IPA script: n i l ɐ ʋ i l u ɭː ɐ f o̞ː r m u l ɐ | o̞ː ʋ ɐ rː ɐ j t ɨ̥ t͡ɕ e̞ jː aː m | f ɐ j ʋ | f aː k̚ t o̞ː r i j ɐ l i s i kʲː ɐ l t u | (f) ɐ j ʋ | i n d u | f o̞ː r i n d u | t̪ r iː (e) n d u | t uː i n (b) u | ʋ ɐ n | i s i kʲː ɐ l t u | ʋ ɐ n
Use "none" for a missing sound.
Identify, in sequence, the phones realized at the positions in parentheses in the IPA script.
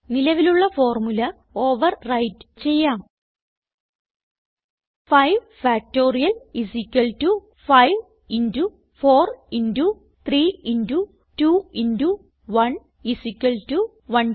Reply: f, i, d

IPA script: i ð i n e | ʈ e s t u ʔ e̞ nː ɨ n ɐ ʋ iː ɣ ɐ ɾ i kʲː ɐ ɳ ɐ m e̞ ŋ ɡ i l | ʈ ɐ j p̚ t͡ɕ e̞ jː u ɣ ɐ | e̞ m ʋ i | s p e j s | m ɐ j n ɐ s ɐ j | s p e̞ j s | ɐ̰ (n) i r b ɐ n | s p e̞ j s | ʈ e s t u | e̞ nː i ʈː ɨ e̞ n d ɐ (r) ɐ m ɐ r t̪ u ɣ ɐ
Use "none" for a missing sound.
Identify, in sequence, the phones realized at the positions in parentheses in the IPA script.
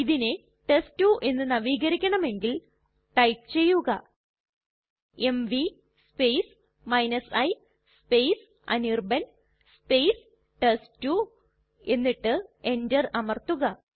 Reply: n, r

